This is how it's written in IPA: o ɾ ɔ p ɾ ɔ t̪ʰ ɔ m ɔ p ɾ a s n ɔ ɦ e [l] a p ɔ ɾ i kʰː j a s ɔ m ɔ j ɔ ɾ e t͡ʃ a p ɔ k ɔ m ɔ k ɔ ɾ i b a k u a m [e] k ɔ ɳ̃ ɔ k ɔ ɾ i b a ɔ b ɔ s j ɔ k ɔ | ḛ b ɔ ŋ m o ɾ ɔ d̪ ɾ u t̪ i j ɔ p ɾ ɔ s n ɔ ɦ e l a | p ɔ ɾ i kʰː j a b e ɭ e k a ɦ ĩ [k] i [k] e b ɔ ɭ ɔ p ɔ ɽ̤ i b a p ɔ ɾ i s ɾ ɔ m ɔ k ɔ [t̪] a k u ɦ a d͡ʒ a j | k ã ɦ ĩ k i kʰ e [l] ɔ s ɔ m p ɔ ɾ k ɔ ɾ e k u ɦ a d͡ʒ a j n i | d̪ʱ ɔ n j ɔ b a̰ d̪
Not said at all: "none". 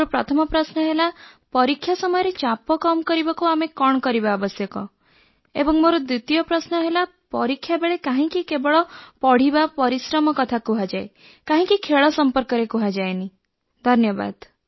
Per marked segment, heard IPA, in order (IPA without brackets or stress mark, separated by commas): l, e, k, k, t̪ʰ, ɭ